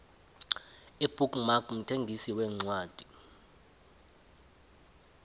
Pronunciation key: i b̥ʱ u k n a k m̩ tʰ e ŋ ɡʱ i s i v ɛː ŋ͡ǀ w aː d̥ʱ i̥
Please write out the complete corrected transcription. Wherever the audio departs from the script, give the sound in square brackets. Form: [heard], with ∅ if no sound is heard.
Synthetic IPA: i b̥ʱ u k [m] a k m̩ tʰ e ŋ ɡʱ i s i [w] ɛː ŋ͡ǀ w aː d̥ʱ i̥